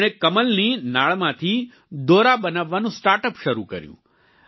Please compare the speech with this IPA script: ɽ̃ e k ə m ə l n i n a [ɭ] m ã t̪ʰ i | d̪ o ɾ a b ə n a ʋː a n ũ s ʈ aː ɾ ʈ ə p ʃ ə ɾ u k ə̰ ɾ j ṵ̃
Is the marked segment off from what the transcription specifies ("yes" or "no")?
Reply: no